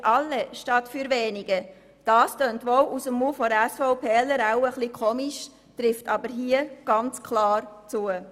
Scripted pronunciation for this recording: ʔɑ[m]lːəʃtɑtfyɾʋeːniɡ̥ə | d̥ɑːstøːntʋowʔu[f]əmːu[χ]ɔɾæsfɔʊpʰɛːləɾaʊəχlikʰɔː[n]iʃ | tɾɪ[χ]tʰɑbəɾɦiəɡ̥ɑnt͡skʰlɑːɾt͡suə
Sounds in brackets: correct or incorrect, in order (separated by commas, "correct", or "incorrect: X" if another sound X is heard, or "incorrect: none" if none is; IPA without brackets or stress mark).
incorrect: none, incorrect: s, incorrect: f, incorrect: m, incorrect: f